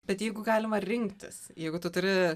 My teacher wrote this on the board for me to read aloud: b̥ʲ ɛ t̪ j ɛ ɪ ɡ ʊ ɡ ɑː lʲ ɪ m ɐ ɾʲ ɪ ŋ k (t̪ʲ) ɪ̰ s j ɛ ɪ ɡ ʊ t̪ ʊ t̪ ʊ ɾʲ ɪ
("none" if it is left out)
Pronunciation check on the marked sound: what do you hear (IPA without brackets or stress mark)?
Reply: t̪ʲ